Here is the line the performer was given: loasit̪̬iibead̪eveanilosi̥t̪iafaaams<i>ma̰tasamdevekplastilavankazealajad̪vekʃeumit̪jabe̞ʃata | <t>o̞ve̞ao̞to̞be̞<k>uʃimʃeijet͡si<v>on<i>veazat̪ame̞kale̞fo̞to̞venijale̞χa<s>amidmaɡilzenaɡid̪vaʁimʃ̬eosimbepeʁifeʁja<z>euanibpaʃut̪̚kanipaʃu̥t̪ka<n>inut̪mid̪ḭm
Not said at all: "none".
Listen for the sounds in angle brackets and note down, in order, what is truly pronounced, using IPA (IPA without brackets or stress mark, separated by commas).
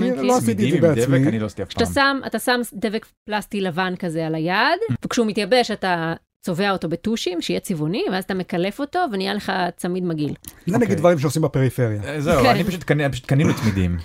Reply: a, t͡s, t, v, i, t͡s, z, n